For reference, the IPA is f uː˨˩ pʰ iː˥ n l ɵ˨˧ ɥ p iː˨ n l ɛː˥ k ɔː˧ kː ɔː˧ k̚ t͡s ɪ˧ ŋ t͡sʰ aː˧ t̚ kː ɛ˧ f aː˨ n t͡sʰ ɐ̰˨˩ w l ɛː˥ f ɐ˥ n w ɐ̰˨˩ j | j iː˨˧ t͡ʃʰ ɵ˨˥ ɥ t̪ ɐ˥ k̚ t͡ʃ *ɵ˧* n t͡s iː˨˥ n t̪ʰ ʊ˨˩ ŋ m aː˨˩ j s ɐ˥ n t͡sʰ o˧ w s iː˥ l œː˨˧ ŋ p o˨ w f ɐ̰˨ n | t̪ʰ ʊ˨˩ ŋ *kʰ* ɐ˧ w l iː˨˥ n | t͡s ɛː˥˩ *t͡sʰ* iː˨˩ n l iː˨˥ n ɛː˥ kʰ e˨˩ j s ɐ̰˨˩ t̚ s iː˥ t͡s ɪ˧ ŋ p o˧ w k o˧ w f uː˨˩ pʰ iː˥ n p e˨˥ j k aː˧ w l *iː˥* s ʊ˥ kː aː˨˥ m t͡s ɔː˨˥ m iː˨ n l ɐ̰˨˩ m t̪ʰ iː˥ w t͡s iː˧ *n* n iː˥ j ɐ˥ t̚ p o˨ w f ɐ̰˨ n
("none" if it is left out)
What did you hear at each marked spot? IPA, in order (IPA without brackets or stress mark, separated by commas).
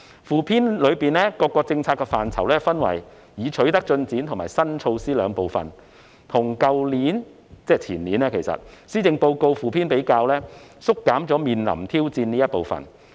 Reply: ɵ˧, k, t͡sʰ, ɛː˥, n